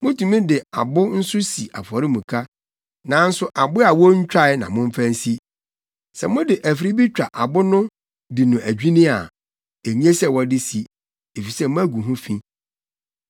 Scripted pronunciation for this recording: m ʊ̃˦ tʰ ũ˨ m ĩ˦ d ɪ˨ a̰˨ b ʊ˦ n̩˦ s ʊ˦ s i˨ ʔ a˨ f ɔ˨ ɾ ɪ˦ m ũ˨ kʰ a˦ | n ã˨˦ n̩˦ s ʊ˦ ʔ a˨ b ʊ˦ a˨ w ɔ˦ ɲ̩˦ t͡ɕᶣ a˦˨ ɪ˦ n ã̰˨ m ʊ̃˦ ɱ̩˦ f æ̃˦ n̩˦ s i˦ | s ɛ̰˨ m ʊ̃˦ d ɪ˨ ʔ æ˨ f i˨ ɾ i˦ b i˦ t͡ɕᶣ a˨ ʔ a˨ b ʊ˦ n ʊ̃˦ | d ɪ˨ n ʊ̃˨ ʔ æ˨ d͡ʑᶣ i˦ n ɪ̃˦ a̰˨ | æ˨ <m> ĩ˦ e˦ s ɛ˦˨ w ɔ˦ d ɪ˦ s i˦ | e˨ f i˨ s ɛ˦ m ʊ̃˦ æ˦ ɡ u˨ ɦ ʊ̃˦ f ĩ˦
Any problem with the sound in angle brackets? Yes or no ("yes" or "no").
yes